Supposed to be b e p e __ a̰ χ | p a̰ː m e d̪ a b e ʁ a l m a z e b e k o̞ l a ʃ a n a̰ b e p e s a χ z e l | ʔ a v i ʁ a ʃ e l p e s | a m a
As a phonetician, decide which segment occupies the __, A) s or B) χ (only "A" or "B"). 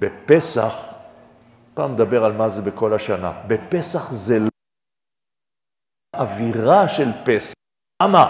A